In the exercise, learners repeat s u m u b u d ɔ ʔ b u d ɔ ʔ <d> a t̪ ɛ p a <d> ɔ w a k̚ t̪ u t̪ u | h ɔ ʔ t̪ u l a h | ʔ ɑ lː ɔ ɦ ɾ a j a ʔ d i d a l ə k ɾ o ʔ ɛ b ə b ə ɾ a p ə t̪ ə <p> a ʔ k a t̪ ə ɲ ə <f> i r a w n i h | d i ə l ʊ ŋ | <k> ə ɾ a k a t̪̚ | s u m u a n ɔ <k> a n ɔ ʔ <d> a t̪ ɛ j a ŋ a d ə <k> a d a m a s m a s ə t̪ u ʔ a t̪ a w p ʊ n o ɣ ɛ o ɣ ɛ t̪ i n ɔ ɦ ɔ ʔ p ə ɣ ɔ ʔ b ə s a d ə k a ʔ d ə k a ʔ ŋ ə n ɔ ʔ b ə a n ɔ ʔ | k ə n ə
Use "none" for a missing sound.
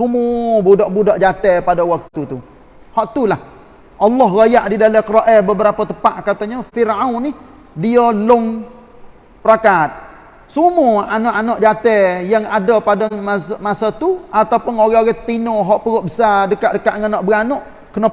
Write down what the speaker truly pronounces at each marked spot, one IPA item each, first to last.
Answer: d͡ʒ, d, p, f, p, ʔ, d͡ʒ, p

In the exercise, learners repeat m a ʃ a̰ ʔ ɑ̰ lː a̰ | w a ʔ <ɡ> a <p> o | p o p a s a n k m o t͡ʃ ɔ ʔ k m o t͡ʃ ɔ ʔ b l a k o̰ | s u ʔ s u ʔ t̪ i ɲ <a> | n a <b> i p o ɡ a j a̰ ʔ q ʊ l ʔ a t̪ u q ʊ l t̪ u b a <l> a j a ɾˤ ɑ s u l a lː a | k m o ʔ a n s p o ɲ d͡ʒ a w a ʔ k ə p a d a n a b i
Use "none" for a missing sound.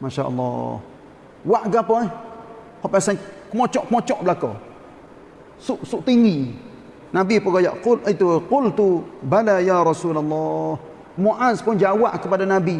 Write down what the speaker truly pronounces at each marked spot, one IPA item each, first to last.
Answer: ɡ, p, i, b, l

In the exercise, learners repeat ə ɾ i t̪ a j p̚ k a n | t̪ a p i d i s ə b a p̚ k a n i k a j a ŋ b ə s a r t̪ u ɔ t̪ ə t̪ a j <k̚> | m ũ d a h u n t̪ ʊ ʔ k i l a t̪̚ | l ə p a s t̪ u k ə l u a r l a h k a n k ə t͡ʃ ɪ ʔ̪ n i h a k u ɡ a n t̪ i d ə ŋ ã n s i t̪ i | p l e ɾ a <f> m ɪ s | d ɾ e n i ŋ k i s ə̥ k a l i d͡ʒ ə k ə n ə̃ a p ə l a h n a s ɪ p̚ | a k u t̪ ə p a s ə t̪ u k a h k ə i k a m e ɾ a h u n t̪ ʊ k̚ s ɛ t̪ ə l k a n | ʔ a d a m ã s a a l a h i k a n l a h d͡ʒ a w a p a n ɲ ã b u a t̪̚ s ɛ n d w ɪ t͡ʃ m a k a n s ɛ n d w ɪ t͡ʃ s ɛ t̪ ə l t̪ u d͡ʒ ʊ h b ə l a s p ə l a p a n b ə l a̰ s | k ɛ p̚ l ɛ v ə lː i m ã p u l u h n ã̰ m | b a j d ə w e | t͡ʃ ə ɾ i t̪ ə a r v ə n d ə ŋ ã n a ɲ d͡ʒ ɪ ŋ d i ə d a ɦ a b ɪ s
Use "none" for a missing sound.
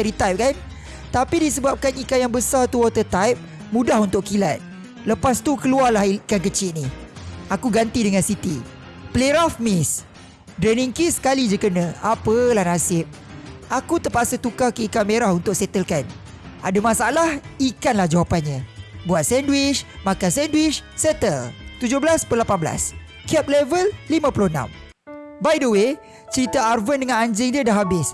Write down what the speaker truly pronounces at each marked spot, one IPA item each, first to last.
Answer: p̚, f

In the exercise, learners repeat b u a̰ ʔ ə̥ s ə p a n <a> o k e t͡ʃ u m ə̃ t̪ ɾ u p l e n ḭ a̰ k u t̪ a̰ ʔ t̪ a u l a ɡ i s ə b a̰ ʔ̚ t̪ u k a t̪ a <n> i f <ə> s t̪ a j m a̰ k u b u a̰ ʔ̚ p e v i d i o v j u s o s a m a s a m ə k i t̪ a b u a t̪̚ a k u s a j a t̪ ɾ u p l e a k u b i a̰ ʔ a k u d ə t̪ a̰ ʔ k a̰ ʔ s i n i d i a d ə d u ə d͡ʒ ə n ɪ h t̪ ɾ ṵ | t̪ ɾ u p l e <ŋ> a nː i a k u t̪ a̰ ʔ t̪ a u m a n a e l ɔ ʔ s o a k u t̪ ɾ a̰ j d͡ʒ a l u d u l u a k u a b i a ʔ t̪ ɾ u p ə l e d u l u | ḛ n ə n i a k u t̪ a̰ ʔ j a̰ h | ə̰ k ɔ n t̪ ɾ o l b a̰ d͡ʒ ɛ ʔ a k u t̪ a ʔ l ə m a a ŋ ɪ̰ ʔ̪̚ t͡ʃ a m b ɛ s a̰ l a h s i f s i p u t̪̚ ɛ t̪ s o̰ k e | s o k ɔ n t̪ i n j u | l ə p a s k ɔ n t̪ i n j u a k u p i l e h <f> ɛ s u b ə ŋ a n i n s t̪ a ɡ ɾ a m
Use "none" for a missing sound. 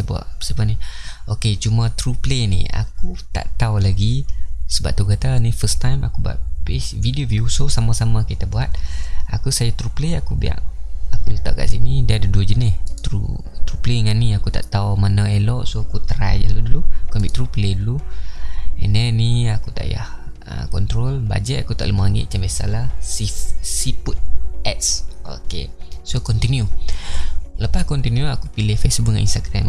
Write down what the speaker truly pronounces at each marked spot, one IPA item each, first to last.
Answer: i, n, ə, ŋ, f

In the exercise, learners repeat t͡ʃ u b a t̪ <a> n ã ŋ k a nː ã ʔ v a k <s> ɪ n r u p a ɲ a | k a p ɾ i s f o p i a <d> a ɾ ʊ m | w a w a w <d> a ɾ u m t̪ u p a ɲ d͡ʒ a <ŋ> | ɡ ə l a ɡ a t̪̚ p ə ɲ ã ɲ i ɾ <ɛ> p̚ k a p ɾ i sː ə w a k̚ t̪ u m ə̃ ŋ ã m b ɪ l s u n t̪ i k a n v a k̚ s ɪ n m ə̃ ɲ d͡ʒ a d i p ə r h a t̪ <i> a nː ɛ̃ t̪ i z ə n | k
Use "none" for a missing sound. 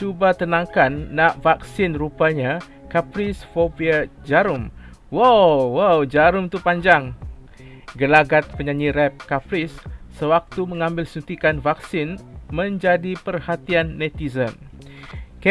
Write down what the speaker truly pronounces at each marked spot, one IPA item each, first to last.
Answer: ə, s, d͡ʒ, d͡ʒ, ŋ, ɛ, i

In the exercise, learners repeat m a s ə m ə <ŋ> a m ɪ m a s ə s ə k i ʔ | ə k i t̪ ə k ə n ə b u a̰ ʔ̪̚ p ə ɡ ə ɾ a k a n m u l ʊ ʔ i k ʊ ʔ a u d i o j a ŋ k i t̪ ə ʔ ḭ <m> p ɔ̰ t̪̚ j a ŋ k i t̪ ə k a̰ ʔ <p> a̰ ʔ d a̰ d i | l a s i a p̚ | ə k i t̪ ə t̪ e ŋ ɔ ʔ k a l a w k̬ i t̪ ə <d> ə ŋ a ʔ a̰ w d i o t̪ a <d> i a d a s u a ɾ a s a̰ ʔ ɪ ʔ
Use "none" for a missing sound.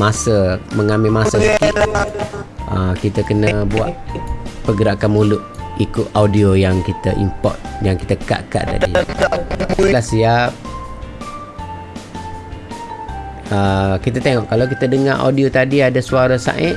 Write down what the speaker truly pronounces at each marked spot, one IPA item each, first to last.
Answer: ŋ, m, k, d, d

